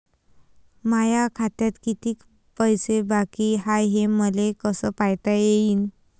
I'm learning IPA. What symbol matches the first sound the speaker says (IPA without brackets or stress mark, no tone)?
m